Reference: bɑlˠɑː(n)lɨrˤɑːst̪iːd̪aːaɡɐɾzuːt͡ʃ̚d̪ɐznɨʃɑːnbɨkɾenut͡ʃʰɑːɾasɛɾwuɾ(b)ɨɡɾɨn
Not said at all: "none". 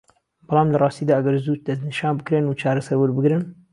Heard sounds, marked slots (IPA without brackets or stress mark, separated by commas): m, b